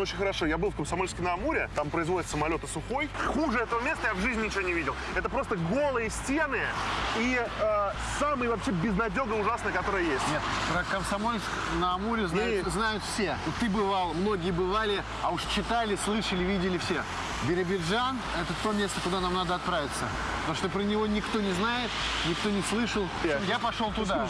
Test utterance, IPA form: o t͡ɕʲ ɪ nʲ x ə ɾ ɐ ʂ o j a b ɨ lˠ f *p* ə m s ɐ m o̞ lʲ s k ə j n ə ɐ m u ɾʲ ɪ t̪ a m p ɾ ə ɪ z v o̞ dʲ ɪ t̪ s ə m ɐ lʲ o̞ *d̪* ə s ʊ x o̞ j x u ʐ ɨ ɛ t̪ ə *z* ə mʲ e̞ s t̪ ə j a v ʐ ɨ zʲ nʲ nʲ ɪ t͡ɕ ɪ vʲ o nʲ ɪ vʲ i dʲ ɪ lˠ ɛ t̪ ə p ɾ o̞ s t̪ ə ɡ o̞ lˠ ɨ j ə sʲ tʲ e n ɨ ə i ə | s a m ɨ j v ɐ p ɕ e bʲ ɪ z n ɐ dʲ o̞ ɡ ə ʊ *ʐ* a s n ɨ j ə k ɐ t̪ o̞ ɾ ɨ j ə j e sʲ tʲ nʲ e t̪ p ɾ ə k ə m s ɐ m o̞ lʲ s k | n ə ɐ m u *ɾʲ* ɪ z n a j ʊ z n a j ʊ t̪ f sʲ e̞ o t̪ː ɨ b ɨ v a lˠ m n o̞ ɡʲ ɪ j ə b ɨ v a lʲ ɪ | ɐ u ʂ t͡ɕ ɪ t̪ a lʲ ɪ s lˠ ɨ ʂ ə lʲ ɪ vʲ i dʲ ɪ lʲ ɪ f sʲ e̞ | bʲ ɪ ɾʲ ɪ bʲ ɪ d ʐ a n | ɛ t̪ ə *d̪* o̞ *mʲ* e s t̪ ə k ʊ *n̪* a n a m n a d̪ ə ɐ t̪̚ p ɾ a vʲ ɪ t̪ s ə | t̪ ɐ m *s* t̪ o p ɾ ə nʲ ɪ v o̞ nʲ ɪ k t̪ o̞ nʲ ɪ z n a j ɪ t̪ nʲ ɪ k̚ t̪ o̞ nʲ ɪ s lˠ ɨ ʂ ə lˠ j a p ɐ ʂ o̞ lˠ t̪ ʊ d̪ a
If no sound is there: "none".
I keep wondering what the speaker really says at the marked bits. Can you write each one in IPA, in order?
k, t̪, v, ʐ, ɾʲ, t̪, mʲ, d̪, ʂ

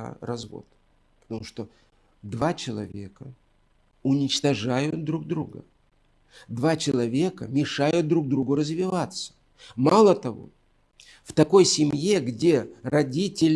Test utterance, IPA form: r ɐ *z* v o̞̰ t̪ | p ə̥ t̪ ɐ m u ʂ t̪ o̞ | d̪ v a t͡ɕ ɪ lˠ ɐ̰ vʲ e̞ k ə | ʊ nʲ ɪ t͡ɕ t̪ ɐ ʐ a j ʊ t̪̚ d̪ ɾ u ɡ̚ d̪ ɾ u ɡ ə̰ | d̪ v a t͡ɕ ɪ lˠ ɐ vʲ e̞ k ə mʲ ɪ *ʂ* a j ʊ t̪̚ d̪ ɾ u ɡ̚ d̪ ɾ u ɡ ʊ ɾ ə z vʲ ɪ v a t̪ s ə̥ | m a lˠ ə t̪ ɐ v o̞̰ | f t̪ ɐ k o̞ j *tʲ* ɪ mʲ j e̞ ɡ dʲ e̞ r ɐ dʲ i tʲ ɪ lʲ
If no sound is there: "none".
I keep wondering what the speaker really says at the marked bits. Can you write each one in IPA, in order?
z, ʂ, sʲ

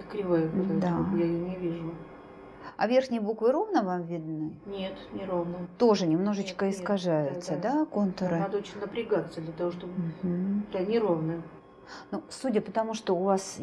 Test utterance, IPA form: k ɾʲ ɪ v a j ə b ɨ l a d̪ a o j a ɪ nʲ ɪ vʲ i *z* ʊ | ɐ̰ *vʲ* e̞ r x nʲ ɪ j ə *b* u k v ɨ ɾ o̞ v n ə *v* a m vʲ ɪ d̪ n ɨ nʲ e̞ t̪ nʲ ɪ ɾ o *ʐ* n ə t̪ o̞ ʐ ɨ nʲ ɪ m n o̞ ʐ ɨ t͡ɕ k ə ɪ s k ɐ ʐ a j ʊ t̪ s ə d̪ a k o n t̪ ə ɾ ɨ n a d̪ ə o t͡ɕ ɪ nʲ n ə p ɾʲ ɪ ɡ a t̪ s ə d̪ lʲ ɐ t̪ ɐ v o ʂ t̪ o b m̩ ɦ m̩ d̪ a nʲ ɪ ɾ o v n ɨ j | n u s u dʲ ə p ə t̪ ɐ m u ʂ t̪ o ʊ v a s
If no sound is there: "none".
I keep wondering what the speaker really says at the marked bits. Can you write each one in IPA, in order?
ʐ, vʲ, b, v, v

